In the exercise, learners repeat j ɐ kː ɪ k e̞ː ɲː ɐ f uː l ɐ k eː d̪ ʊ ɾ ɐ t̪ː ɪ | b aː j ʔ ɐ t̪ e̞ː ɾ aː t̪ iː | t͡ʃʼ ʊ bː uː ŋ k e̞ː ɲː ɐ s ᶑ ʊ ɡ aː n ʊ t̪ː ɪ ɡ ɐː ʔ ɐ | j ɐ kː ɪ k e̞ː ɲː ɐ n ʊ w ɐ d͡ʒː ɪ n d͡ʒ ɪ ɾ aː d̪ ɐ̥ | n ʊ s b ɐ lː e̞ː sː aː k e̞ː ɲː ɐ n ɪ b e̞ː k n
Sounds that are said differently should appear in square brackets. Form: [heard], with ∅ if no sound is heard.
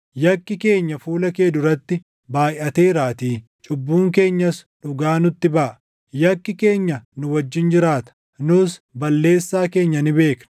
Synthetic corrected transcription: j ɐ kː ɪ k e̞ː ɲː ɐ f uː l ɐ k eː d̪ ʊ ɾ ɐ t̪ː ɪ | b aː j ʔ ɐ t̪ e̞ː ɾ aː t̪ iː | t͡ʃʼ ʊ bː uː ŋ k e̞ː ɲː ɐ s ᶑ ʊ ɡ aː n ʊ t̪ː ɪ [b] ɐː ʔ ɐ | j ɐ kː ɪ k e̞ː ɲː ɐ n ʊ w ɐ d͡ʒː ɪ n d͡ʒ ɪ ɾ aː [t̪] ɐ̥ | n ʊ s b ɐ lː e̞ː sː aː k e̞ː ɲː ɐ n ɪ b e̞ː k n